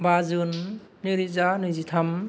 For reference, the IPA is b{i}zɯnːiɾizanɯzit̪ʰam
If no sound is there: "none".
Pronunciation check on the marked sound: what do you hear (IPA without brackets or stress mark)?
a